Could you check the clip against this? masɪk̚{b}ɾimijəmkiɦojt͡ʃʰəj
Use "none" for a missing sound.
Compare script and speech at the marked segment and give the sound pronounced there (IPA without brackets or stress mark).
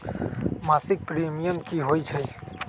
p